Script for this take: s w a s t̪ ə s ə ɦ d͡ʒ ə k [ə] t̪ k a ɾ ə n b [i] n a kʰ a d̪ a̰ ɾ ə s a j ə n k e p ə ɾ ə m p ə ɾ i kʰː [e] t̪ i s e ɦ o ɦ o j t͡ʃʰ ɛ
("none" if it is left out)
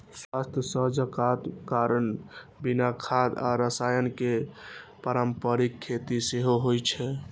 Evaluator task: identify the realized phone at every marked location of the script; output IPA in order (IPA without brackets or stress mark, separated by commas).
a, i, e